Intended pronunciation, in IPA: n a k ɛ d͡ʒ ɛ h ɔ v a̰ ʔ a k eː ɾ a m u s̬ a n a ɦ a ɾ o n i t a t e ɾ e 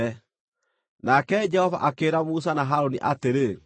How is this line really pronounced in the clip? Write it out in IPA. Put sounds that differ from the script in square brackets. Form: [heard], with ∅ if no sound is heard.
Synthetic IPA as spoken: n a k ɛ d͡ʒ ɛ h ɔ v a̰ ʔ a k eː ɾ a m u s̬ a n a ɦ a ɾ o n i [ʔ] a t e ɾ e